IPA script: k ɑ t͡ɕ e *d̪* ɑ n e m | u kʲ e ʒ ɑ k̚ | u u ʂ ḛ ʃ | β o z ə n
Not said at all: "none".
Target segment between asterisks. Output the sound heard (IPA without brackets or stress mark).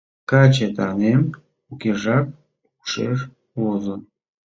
t̪